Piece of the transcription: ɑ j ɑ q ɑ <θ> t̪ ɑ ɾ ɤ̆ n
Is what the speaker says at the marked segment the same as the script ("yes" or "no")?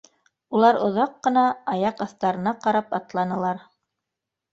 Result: yes